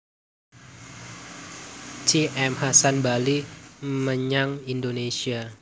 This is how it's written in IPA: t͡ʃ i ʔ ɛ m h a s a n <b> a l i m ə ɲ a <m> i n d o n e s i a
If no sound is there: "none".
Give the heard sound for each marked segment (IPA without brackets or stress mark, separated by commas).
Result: b, ŋ